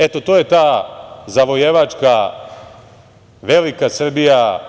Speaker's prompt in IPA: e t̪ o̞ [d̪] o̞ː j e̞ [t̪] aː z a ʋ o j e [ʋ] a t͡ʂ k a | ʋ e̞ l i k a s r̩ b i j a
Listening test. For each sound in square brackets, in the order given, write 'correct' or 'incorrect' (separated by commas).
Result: incorrect, correct, correct